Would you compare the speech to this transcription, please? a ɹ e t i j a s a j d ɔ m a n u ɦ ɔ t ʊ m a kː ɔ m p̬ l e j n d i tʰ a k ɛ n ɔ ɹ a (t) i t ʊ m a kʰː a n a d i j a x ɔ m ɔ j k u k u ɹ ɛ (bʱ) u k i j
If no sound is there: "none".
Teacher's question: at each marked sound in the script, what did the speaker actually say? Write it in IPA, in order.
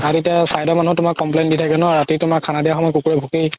t, bʱ

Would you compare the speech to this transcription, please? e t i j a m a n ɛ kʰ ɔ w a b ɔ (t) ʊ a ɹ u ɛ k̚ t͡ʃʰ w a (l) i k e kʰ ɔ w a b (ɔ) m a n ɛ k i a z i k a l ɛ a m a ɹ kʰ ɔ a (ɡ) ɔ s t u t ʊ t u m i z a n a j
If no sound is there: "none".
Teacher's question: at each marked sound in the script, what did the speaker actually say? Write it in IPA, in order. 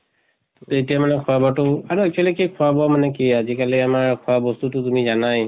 t, l, ɔ, b

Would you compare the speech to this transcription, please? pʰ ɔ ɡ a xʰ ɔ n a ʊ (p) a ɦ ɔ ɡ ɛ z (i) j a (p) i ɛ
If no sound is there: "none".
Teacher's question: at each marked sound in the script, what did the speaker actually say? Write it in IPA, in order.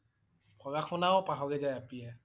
p, a, p

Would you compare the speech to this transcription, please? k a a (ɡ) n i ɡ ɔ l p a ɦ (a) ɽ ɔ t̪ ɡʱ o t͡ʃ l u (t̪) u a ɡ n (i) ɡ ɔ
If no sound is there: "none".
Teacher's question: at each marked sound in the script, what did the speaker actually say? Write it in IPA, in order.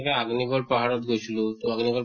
ɡ, a, t̪, i

